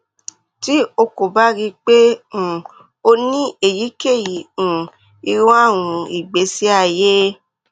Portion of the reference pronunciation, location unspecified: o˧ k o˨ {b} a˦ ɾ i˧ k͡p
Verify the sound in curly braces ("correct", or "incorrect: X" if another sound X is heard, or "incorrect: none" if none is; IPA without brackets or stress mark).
correct